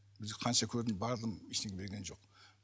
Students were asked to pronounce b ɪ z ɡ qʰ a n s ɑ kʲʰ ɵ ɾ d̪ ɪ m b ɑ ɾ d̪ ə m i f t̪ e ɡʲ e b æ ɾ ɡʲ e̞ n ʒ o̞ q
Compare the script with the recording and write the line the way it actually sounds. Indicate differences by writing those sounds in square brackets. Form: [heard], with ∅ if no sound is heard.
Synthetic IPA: b ɪ z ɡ qʰ [ɑ] n [ʃ] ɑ kʲʰ ɵ ɾ d̪ ɪ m b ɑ ɾ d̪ ə m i [ʃ] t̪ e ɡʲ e b [e] ɾ ɡʲ e̞ n ʒ o̞ q